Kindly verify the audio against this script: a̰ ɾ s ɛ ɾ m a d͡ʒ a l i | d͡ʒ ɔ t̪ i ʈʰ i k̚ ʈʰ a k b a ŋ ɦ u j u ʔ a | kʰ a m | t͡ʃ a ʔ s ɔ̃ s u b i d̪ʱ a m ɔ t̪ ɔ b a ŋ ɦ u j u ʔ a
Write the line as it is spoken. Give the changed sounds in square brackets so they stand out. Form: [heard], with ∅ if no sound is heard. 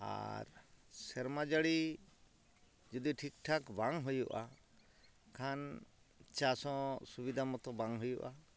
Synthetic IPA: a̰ ɾ s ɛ ɾ m a d͡ʒ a [ɽ] i | d͡ʒ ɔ [d̪] i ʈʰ i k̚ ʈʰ a k b a ŋ ɦ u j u ʔ a | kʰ a [n] | t͡ʃ a [∅] s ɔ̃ s u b i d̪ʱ a m ɔ t̪ ɔ b a ŋ ɦ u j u ʔ a